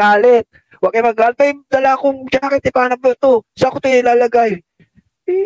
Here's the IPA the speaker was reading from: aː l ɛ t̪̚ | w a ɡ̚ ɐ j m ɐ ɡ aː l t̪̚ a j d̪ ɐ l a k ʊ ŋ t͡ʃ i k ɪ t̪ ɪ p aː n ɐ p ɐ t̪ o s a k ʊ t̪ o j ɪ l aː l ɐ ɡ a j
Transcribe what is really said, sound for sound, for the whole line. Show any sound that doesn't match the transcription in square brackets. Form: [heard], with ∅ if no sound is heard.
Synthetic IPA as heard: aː l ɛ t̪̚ | w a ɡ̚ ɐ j m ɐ ɡ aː l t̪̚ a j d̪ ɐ l a k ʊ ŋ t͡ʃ [a] k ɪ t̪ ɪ p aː n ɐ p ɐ t̪ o s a k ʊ t̪ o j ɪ l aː l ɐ ɡ a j